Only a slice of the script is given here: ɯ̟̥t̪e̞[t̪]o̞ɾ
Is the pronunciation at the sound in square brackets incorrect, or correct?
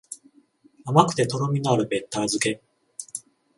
correct